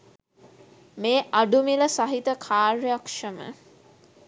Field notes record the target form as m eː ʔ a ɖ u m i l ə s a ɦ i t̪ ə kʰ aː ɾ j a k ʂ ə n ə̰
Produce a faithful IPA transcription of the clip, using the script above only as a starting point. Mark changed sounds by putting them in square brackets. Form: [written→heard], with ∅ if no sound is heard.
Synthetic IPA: m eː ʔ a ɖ u m i l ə s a ɦ i t̪ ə kʰ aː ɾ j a k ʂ ə [n→m] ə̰